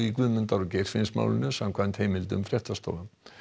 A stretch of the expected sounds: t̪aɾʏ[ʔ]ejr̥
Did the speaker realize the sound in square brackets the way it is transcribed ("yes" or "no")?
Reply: no